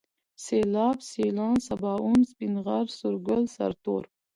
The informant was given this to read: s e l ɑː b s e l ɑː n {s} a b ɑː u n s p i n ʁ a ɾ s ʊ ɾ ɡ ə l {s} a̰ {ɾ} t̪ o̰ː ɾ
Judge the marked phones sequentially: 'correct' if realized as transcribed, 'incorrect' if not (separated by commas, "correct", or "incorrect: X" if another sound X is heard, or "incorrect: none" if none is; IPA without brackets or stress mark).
correct, correct, correct